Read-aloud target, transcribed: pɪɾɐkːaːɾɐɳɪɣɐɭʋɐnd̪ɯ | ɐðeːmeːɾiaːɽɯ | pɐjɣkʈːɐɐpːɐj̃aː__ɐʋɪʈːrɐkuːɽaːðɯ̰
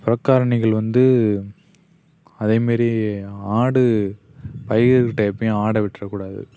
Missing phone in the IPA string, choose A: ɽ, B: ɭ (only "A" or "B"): A